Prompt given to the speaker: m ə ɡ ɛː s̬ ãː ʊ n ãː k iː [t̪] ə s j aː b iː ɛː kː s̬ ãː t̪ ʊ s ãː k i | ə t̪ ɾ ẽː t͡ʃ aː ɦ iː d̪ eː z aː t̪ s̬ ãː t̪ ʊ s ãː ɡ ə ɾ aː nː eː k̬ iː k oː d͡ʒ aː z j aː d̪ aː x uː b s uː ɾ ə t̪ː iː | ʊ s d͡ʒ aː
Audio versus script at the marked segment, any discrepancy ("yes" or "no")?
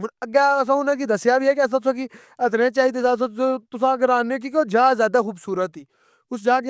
yes